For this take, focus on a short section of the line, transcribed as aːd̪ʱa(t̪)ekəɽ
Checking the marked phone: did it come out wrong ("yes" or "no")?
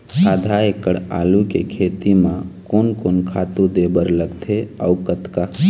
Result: yes